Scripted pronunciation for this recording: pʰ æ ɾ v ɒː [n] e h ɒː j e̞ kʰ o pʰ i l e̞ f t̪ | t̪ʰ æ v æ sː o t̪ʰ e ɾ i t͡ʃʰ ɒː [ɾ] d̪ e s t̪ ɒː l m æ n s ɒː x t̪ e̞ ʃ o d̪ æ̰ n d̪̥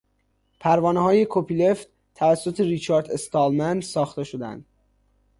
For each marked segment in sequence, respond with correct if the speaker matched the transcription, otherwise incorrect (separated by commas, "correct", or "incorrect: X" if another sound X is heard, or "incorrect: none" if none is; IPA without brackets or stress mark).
correct, correct